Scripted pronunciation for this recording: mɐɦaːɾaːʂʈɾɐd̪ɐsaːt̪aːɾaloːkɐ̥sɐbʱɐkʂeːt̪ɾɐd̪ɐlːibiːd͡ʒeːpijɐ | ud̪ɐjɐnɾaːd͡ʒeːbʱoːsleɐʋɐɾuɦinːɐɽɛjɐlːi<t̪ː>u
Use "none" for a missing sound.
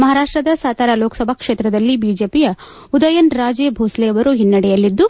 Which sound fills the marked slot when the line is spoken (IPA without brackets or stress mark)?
d̪ː